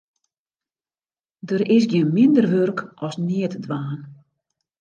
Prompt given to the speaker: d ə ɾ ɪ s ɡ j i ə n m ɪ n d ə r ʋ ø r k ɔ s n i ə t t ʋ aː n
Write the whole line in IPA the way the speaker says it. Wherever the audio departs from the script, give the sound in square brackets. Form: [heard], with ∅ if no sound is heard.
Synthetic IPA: d ə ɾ ɪ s ɡ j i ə n m ɪ n d ə r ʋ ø r k ɔ s n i ə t [d] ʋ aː n